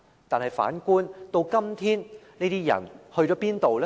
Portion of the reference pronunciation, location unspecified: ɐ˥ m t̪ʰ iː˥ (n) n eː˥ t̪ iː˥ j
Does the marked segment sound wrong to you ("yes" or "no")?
no